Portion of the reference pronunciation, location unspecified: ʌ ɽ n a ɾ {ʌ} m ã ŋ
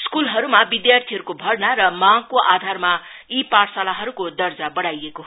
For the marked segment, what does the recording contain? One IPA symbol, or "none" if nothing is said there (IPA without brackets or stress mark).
ʌ